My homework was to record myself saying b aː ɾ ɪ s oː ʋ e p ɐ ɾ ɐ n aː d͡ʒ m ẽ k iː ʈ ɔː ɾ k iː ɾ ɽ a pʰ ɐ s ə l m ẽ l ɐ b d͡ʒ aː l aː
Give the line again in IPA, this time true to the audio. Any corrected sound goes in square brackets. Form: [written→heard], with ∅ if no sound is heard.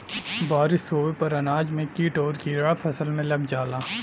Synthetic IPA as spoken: b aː ɾ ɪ s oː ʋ e p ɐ ɾ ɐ n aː d͡ʒ m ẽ k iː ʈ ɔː ɾ k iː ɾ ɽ a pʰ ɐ s ə l m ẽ l ɐ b d͡ʒ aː l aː